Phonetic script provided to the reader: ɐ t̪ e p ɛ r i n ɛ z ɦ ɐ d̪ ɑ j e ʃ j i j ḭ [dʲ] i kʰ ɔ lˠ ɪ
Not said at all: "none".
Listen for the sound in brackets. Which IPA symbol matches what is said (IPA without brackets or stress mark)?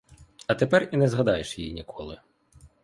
nʲ